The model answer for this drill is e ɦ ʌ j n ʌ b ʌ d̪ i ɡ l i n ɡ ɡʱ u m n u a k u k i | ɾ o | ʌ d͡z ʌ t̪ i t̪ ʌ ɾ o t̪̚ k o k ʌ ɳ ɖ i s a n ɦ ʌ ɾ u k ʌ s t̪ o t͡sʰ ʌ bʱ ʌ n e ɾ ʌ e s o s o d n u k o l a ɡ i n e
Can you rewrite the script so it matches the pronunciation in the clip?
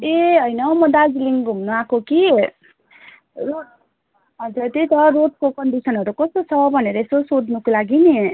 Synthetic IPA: e ɦ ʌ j n ʌ m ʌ d̪ a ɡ l i ŋ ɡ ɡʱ u m n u a k o k i | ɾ o | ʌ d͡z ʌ t̪ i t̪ ʌ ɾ o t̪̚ k o k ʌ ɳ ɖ i s ʌ n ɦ ʌ ɾ u k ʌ s t̪ o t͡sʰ ʌ bʱ ʌ n e ɾ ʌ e s o s o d n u k o l a ɡ i n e